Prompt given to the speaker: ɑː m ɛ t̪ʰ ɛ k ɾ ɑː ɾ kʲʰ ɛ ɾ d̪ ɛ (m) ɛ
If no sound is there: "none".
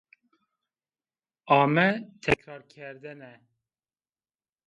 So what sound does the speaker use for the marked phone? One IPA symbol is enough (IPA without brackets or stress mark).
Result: n